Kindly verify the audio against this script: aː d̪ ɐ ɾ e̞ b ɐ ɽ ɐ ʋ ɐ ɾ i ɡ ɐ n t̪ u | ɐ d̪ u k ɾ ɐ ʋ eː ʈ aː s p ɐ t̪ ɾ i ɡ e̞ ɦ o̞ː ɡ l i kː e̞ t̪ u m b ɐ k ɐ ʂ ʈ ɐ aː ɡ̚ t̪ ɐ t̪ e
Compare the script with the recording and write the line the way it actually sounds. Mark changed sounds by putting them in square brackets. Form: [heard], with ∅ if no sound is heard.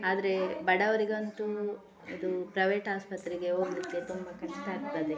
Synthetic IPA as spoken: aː d̪ ɐ ɾ e̞ b ɐ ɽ ɐ ʋ ɐ ɾ i ɡ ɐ n t̪ u | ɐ d̪ u [p] ɾ ɐ ʋ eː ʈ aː s p ɐ t̪ ɾ i ɡ e̞ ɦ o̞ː ɡ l i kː e̞ t̪ u m b ɐ k ɐ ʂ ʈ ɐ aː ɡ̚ t̪ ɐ [d̪] e